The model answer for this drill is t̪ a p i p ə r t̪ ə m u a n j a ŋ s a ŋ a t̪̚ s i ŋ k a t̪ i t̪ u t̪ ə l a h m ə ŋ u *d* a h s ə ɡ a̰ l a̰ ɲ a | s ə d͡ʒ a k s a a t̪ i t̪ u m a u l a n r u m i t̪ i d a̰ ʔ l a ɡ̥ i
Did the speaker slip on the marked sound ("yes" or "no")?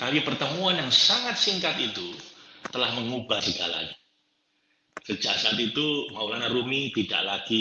yes